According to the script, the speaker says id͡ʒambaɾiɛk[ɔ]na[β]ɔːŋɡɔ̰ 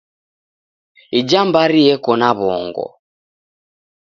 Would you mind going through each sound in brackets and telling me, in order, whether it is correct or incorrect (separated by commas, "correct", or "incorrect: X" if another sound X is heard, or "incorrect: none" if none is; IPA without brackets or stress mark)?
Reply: correct, correct